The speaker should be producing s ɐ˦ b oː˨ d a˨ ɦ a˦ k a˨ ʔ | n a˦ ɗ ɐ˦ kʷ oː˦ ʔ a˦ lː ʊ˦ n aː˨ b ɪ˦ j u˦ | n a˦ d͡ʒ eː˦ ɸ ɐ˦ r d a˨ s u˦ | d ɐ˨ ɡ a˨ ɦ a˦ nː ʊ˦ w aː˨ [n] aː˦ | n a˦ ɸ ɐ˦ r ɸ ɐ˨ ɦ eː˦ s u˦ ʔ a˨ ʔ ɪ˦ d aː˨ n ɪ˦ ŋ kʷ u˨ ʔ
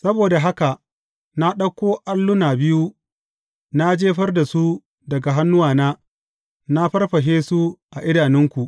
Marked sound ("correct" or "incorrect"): correct